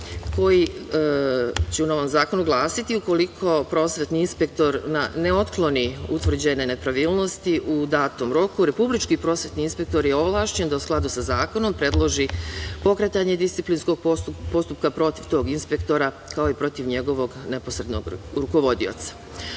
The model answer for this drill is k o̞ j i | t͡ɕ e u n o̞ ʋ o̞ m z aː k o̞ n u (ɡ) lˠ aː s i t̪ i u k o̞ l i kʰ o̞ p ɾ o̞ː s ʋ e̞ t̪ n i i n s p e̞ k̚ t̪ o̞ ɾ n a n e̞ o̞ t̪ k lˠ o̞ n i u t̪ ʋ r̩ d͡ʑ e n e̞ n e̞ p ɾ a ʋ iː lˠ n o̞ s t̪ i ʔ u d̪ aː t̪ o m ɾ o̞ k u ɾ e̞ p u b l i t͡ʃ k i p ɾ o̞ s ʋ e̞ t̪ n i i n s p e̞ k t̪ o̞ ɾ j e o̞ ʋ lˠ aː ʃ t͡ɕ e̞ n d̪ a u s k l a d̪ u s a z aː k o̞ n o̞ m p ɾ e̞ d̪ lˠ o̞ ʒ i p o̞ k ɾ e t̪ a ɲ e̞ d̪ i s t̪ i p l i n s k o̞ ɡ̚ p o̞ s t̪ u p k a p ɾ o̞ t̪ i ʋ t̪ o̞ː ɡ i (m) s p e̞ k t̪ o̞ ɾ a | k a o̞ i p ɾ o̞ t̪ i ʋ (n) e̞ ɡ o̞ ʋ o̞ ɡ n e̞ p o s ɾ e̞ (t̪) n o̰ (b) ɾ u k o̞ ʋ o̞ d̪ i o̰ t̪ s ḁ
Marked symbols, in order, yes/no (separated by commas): yes, no, no, no, no